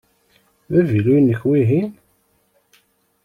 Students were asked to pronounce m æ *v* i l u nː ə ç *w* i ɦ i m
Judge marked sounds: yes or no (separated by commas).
yes, yes